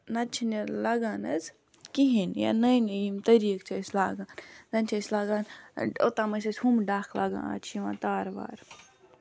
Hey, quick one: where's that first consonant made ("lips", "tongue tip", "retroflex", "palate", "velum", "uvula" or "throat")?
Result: tongue tip